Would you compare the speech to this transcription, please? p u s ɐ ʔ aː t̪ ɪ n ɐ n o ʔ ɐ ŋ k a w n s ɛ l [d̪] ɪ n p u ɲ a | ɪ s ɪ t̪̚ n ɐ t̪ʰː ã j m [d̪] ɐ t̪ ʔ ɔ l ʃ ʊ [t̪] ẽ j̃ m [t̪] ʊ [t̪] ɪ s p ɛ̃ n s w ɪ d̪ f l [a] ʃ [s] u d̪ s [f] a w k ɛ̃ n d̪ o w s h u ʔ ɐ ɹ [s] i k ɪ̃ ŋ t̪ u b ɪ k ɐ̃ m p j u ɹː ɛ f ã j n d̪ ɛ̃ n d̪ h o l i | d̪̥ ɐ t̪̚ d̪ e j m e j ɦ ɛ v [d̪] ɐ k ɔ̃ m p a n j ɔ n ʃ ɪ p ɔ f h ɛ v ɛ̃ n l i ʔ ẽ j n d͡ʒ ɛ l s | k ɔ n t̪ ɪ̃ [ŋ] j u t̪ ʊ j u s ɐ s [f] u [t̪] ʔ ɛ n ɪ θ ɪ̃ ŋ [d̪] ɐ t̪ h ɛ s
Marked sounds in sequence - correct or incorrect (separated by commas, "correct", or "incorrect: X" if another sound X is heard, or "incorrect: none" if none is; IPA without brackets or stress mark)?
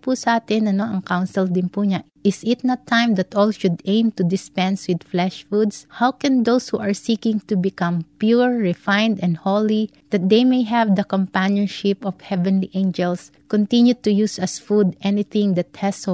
correct, correct, incorrect: d̪, correct, incorrect: d̪, incorrect: ɛ, incorrect: f, incorrect: h, correct, correct, incorrect: n, correct, incorrect: d̪, correct